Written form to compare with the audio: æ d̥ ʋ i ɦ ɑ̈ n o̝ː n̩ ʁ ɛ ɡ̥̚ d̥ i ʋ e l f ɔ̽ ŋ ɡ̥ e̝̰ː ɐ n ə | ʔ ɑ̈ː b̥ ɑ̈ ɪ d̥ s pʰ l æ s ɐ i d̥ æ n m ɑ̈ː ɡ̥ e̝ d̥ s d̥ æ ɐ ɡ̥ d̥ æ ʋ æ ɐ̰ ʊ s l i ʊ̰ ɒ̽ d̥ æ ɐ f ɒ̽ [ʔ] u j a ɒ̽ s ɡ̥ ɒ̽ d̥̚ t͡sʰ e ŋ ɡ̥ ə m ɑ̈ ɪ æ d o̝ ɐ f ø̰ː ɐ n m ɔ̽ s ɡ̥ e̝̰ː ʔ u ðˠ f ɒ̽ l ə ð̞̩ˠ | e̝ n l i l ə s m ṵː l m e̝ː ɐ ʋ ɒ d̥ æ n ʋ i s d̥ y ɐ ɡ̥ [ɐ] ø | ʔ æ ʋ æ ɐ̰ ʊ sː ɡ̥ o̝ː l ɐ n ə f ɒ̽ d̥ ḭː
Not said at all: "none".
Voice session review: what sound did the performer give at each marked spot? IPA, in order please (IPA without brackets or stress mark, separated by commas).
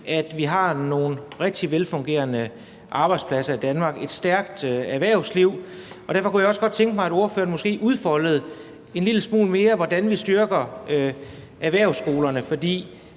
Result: k, ɐ